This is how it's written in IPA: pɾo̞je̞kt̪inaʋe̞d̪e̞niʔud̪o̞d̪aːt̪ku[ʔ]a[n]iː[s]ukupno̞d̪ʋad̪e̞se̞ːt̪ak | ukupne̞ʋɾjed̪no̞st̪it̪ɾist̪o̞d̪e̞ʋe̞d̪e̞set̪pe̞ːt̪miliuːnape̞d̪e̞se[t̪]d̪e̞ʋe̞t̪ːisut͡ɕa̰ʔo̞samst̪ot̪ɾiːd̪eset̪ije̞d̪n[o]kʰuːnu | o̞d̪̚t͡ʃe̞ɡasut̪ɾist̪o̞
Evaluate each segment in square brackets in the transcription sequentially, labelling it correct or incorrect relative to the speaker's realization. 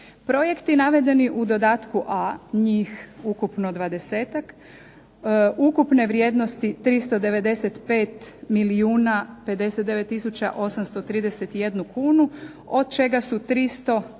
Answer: correct, incorrect: ɲ, incorrect: x, correct, incorrect: u

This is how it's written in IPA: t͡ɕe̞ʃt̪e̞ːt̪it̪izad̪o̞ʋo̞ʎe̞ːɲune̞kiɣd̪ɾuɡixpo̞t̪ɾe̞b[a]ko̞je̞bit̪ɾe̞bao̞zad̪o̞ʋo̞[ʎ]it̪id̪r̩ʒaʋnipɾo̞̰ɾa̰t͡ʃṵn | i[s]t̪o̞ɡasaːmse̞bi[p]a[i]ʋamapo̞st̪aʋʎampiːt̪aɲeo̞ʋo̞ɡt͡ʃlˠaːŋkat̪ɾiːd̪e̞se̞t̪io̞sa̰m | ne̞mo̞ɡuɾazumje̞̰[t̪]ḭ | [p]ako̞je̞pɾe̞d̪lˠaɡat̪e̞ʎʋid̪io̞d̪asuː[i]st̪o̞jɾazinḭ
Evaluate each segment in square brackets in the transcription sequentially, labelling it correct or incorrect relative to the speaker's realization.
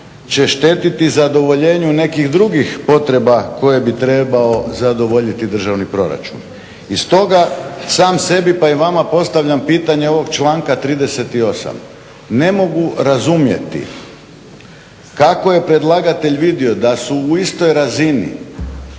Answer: correct, correct, correct, correct, correct, correct, incorrect: k, correct

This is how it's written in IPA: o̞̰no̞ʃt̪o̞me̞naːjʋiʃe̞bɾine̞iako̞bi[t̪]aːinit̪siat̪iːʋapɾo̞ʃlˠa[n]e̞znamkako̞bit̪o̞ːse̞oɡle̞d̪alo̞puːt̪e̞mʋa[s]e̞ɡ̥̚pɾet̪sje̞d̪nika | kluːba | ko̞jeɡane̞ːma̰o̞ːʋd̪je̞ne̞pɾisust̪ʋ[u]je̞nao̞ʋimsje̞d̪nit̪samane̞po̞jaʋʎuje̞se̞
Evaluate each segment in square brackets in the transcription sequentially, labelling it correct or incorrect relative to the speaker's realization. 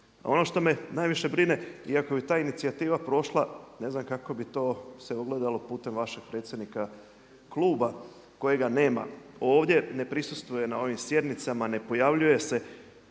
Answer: correct, correct, incorrect: ʃ, correct

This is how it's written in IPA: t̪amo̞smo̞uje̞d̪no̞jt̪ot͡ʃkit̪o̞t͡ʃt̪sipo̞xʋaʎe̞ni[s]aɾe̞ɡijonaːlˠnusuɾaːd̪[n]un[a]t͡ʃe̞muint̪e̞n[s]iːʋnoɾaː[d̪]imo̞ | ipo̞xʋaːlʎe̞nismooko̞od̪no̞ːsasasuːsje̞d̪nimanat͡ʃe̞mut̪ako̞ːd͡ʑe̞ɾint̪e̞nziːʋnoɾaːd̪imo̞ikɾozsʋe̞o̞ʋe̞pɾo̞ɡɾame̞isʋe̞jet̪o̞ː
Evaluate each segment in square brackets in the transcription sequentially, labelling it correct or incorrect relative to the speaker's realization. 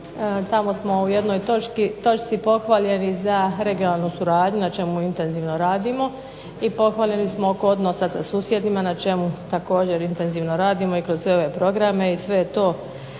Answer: incorrect: z, incorrect: ɲ, correct, incorrect: z, correct

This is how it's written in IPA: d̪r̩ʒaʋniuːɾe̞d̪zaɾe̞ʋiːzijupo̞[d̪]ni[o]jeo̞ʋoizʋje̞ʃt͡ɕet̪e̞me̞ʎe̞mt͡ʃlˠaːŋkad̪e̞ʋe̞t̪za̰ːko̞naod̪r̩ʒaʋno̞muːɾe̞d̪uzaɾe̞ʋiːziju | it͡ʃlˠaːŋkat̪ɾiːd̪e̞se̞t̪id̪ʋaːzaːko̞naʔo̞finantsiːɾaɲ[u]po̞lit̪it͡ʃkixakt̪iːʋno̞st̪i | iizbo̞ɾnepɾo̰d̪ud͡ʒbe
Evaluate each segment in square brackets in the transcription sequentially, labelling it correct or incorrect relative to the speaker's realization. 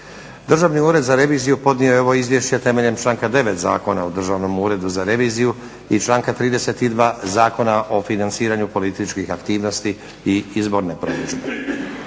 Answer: correct, correct, correct

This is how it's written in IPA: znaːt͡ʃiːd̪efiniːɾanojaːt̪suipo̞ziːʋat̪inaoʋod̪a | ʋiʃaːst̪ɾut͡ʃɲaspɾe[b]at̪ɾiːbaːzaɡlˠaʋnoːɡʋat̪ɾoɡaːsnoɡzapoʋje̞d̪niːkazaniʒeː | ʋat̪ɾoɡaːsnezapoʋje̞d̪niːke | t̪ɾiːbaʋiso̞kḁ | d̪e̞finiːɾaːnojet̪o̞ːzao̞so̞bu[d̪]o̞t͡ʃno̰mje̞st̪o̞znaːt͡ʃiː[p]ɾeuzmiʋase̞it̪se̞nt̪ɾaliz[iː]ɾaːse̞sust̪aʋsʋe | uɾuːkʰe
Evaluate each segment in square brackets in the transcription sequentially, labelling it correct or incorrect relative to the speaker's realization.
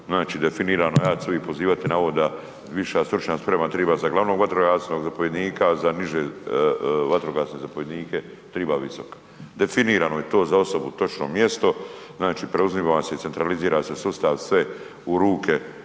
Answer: incorrect: m, incorrect: t̪, correct, correct

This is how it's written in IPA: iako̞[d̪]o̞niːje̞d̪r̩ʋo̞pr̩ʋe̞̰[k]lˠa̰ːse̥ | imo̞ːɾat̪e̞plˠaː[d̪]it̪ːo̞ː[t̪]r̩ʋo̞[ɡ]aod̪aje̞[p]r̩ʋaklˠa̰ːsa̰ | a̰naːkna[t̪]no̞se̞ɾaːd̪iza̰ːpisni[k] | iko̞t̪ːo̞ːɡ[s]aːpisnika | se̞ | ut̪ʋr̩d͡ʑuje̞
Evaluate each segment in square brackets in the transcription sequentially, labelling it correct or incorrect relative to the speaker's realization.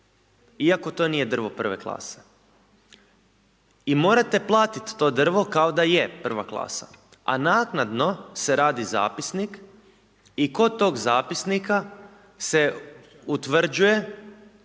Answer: incorrect: t̪, correct, incorrect: t̪, incorrect: d̪, incorrect: k, correct, incorrect: d̪, correct, incorrect: z

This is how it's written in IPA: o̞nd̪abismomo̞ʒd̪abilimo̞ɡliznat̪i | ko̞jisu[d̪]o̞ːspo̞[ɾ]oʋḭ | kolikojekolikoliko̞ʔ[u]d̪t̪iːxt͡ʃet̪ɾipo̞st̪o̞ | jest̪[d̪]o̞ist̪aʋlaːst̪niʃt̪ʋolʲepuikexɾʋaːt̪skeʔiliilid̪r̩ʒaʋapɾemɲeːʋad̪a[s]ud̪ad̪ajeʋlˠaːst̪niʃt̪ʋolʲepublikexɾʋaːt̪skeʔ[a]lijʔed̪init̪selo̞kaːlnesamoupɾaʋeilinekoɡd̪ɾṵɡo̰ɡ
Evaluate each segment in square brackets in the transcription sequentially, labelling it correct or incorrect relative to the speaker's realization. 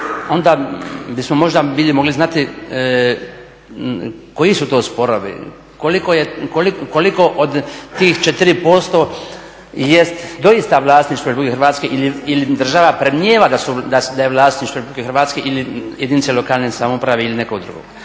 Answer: incorrect: t̪, correct, incorrect: o, correct, correct, incorrect: i

